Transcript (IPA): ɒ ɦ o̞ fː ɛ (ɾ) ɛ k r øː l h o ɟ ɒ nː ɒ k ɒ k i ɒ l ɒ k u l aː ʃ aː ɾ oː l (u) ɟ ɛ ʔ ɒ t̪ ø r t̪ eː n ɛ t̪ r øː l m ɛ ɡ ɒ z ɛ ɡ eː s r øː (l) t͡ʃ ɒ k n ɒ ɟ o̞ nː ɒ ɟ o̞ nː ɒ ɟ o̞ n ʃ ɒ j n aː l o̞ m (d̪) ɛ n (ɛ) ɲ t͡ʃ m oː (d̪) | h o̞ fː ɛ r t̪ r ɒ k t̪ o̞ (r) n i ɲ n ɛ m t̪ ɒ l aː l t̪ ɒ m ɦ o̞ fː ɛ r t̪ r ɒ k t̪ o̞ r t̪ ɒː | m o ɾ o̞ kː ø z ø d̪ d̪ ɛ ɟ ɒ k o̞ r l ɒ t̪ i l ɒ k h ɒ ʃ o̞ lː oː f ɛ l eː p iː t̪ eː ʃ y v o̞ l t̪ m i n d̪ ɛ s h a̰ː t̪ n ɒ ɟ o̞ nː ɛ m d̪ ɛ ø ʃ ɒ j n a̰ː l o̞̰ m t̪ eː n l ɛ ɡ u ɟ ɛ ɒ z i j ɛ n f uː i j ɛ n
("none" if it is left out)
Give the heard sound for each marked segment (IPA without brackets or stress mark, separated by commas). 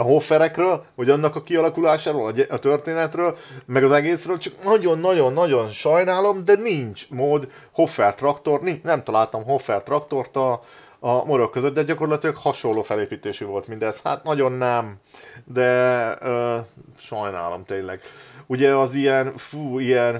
ɾ, ɒ, l, d̪, i, d̪, r